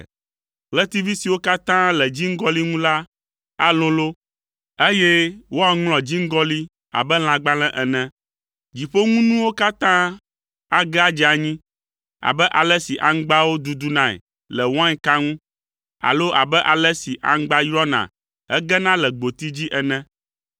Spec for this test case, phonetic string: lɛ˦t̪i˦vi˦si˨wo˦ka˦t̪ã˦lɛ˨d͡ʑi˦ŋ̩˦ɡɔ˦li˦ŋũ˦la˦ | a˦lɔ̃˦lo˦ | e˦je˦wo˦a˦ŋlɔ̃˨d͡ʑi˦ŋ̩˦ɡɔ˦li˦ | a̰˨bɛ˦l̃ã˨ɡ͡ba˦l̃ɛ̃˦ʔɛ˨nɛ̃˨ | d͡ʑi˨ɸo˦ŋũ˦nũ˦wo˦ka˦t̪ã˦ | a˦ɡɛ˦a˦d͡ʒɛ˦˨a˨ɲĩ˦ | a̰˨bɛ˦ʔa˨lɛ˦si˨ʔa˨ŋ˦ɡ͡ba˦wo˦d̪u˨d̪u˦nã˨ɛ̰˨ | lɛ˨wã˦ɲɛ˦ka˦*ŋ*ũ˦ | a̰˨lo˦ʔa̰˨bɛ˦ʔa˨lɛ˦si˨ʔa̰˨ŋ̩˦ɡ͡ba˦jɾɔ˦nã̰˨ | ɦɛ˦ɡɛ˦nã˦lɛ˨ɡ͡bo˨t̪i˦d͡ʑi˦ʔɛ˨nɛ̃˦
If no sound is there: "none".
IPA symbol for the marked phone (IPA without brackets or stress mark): ŋ